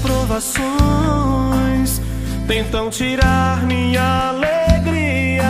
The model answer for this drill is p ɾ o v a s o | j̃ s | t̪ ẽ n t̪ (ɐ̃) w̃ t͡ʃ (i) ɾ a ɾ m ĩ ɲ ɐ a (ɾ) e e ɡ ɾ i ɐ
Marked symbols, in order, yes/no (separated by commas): yes, yes, no